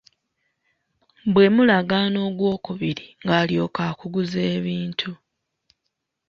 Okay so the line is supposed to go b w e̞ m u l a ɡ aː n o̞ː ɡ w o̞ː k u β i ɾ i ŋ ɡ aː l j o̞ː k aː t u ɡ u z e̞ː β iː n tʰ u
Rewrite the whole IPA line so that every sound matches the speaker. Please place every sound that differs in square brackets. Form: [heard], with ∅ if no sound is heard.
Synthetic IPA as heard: b w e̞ m u l a ɡ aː n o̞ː ɡ w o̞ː k u β i ɾ i ŋ ɡ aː l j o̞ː k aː [k] u ɡ u z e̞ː β iː n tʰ u